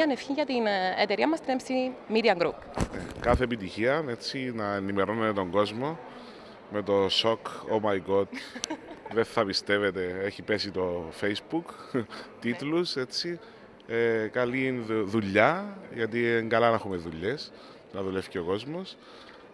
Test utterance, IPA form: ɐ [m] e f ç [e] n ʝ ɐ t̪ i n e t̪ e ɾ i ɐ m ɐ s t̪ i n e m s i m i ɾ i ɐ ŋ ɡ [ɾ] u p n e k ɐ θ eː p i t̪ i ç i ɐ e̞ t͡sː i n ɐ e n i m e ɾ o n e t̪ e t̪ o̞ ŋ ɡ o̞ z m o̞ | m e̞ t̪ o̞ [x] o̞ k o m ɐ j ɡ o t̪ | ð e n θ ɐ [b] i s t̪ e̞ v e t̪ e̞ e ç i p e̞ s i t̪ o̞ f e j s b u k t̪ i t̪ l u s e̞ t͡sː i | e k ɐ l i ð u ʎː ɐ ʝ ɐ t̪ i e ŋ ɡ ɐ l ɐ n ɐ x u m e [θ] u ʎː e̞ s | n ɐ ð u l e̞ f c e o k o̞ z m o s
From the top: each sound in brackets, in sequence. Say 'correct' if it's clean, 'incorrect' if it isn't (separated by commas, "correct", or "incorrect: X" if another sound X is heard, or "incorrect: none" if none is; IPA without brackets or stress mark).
incorrect: n, incorrect: i, correct, incorrect: s, incorrect: p, incorrect: ð